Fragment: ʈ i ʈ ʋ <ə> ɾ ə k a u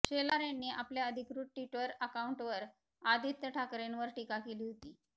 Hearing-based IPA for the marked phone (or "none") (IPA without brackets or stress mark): ə